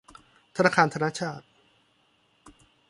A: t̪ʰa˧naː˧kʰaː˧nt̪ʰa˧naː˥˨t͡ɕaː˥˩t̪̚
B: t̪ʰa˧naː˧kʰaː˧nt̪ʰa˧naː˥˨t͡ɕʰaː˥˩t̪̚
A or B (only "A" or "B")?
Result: B